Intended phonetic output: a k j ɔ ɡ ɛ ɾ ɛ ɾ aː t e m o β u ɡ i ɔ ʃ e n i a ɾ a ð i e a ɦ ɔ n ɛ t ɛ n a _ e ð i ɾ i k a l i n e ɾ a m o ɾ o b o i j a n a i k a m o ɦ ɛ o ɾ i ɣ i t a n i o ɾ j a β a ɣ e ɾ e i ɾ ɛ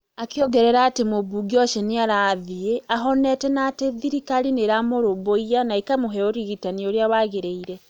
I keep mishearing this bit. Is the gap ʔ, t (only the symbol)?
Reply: t